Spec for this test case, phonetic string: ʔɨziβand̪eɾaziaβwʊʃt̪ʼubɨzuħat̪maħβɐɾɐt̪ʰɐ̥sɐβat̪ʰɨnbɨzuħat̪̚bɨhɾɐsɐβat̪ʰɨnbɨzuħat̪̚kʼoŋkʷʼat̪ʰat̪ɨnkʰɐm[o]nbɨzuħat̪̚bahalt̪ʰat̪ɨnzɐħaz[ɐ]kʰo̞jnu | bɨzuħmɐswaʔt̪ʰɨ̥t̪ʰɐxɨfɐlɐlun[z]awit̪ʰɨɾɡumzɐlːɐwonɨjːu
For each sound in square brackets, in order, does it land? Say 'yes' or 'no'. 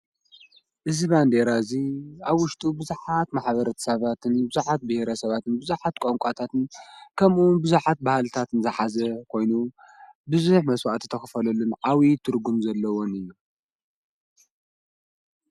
no, yes, no

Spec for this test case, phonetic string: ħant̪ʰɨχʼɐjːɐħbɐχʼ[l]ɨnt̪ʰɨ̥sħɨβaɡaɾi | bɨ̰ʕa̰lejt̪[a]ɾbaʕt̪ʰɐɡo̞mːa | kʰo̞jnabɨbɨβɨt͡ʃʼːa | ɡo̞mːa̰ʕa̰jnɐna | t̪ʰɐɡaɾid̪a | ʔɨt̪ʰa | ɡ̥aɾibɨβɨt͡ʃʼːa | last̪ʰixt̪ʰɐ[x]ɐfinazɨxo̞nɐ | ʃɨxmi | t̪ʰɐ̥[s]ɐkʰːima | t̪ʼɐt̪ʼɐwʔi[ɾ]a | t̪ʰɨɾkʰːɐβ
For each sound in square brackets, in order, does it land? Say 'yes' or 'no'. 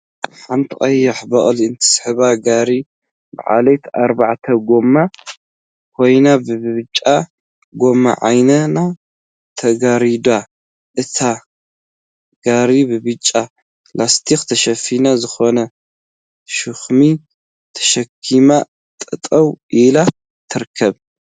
yes, yes, no, no, no

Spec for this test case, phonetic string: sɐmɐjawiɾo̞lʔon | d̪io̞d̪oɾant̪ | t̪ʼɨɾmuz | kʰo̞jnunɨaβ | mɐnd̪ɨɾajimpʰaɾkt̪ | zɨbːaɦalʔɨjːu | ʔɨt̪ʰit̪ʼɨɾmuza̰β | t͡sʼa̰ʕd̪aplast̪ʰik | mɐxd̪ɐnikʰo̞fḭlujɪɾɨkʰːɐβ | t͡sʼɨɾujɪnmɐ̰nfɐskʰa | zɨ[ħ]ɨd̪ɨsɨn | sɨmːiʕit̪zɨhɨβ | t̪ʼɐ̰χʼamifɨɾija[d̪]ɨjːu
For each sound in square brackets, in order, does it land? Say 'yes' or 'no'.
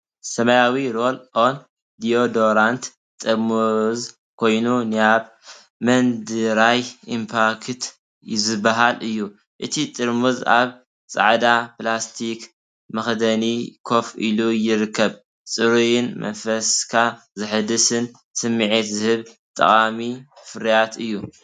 yes, no

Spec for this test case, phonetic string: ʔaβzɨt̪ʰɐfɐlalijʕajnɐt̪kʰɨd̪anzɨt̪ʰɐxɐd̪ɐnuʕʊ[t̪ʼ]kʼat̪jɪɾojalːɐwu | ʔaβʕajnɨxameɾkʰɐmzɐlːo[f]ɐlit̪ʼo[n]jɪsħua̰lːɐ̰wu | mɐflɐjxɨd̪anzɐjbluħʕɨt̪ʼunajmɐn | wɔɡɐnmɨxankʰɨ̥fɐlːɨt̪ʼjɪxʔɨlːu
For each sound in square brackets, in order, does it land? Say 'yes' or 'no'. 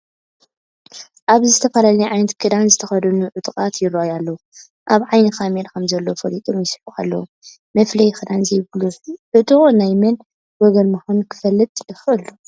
yes, yes, no

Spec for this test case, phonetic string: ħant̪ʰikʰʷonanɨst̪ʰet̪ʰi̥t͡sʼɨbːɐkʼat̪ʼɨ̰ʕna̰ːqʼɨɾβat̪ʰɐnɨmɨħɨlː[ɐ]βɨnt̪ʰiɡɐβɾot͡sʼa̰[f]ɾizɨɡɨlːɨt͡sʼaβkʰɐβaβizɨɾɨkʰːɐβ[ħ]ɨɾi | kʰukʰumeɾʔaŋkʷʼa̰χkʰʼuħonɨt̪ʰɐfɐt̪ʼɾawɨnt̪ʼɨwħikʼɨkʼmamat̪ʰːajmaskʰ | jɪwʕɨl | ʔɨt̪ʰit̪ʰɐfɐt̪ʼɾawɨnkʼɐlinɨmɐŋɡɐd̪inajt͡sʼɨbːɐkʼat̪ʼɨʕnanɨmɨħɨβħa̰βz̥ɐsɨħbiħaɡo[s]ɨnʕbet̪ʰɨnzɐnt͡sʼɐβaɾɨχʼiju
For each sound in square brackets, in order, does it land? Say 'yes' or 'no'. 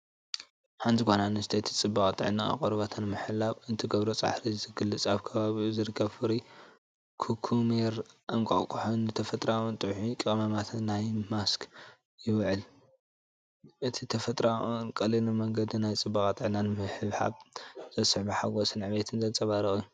no, no, no, yes

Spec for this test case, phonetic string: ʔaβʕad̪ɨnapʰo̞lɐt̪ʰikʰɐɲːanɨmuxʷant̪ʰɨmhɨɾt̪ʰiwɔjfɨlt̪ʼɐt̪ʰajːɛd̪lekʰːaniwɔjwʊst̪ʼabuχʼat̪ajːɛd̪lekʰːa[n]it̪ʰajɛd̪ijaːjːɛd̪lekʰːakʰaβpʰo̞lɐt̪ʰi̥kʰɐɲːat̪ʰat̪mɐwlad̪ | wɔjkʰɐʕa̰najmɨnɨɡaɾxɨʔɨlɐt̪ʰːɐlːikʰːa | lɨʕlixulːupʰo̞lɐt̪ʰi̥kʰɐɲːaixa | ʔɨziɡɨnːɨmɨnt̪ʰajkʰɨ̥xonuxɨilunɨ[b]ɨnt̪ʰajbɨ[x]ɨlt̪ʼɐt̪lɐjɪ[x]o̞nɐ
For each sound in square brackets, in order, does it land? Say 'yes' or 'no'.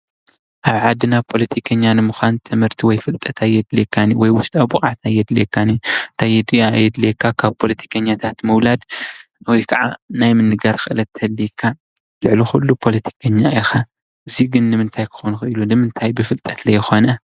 yes, no, no, yes

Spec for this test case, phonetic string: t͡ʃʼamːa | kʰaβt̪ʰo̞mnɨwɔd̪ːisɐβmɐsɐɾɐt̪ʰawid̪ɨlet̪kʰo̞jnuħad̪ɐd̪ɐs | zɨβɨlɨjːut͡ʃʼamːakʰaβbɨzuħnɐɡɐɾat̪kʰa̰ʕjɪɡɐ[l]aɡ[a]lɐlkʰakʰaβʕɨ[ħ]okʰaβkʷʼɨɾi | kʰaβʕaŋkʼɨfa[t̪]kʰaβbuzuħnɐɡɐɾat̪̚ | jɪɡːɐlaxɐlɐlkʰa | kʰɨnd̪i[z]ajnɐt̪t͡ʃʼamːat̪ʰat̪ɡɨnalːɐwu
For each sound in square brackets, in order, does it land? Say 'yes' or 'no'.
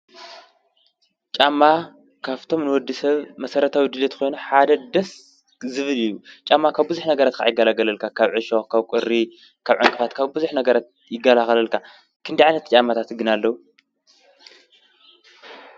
yes, no, no, yes, no

